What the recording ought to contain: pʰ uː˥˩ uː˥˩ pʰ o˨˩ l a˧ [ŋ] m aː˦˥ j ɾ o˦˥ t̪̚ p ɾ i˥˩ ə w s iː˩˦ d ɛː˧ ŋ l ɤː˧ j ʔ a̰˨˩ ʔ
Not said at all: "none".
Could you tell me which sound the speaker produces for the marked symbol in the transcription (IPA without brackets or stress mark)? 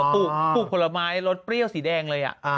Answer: none